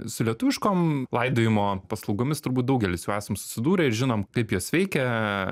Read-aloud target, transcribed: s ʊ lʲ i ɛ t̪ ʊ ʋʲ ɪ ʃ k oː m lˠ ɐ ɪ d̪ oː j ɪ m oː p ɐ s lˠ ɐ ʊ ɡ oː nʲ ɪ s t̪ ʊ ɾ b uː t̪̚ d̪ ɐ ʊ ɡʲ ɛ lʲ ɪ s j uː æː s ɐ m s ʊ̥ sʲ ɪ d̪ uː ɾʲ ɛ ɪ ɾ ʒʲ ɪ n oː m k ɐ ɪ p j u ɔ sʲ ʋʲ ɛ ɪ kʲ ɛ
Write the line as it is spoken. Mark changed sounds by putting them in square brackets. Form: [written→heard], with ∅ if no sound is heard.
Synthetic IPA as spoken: s ʊ lʲ i ɛ t̪ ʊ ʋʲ ɪ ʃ k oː m lˠ ɐ ɪ d̪ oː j ɪ m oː p ɐ s lˠ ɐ ʊ ɡ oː [nʲ→mʲ] ɪ s t̪ ʊ ɾ b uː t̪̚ d̪ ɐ ʊ ɡʲ ɛ lʲ ɪ s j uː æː s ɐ m s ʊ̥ sʲ ɪ d̪ uː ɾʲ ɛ ɪ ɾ ʒʲ ɪ n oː m k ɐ ɪ p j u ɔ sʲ ʋʲ ɛ ɪ kʲ ɛ